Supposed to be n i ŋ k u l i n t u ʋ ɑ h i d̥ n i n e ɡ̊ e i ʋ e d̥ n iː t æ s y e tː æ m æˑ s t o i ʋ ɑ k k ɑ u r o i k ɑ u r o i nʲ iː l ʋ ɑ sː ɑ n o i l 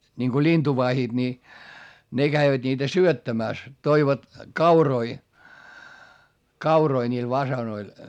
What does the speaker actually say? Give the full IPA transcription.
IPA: n i ŋ k o l i n t u ʋ ɑ h i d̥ n i n e ɡ̊ æ i ʋ æ d̥ n iː t æ s y ø tː æ m æˑ s t o i ʋ ɑ t k ɑ u r o i k ɑ u r o i nʲ iː l ʋ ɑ s ɑ n o i l